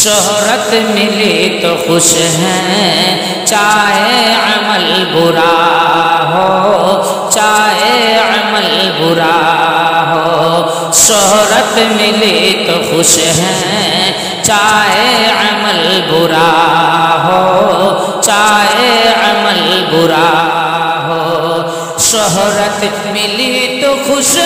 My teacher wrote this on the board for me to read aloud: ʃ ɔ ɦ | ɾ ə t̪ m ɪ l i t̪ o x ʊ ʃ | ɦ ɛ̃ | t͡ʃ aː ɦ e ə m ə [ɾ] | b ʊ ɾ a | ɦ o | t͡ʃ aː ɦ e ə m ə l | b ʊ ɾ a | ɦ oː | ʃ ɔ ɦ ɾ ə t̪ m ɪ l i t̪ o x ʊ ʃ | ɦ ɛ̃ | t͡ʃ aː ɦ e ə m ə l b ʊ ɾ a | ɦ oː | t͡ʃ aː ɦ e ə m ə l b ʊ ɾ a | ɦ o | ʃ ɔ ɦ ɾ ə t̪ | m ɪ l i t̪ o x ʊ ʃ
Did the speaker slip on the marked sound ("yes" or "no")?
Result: yes